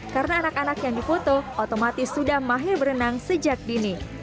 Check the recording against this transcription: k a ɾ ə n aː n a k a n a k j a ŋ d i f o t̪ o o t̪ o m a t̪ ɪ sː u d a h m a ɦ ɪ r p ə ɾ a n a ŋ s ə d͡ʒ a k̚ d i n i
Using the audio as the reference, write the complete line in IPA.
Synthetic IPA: k a ɾ ə n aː n a k a n a k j a ŋ d i f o t̪ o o t̪ o m a t̪ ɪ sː u d a h m a ɦ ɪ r b ə ɾ ə n a ŋ s ə d͡ʒ a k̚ d i n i